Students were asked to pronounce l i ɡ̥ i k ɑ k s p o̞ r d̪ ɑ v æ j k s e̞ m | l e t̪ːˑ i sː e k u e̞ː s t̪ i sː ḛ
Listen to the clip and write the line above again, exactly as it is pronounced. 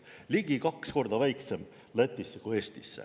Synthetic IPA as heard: l i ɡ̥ i k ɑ k s k o̞ r d̪ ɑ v æ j k s e̞ m | l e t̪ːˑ i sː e k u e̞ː s t̪ i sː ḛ